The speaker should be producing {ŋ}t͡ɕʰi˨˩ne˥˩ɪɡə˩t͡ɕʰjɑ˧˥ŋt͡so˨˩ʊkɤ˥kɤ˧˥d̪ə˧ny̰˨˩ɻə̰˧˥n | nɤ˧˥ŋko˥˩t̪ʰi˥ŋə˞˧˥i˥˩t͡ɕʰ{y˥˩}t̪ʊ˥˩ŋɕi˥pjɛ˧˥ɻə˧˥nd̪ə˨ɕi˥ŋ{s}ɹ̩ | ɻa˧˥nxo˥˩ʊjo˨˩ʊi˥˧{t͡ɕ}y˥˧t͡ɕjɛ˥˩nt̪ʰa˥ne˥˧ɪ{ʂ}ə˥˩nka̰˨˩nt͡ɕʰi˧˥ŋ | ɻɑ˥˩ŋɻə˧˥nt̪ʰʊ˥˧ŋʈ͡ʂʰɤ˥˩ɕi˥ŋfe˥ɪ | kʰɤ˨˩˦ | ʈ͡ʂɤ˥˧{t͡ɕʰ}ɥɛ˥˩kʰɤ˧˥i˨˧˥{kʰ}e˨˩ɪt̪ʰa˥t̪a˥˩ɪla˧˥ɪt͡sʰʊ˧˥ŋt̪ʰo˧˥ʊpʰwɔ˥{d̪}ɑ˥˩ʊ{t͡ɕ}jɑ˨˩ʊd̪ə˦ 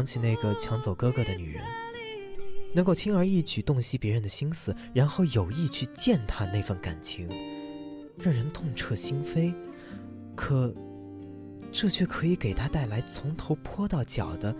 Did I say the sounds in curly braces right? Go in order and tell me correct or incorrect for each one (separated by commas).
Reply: correct, incorrect, correct, incorrect, incorrect, correct, incorrect, incorrect, correct